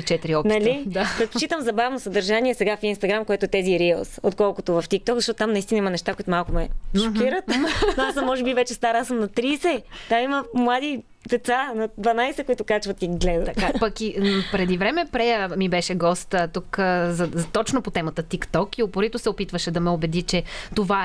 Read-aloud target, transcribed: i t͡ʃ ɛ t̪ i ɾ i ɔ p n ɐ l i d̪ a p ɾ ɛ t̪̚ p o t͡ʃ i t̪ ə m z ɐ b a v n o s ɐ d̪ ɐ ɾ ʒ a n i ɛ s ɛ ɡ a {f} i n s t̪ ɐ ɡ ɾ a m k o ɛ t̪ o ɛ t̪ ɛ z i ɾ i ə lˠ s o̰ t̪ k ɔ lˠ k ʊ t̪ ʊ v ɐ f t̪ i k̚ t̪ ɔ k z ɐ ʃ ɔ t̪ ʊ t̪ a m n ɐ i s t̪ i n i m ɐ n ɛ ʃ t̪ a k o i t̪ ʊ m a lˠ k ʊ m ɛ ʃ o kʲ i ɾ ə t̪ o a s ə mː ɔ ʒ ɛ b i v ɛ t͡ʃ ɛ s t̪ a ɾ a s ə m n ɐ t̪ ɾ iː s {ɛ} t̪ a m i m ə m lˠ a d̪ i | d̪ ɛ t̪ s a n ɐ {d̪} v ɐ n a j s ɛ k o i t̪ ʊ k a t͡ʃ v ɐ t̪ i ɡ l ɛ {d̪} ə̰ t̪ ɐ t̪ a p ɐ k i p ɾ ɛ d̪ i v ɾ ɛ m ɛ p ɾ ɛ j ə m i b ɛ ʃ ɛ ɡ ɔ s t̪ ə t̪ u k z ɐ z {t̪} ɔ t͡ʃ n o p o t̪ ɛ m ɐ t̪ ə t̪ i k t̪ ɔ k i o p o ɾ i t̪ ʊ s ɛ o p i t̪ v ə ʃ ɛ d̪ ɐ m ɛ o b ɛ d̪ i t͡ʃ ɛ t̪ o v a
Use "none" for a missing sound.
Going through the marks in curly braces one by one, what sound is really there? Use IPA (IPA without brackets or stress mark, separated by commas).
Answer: f, ɛ, d̪, d̪, t̪